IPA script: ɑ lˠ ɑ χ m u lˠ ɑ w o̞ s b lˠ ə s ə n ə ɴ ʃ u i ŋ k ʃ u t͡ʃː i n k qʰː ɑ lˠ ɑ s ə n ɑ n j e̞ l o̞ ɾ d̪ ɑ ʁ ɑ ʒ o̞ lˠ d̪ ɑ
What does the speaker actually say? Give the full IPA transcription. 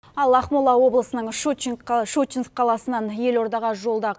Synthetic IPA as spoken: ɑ lˠ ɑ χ m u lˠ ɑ w o̞ b lˠ ə s ə n ə ɴ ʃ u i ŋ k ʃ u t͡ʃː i n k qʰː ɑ lˠ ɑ s ə n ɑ n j e̞ l o̞ ɾ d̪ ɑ ʁ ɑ ʒ o̞ lˠ d̪ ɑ